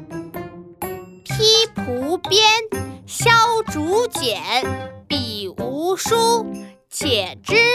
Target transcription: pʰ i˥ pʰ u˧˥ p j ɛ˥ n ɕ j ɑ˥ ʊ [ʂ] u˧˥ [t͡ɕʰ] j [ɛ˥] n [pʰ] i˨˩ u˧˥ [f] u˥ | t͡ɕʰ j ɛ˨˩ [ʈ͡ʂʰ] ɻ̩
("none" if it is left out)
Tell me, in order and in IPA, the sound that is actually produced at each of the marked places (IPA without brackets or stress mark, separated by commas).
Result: ʈ͡ʂ, t͡ɕ, ɛ˨˩˦, p, ʂ, ʈ͡ʂ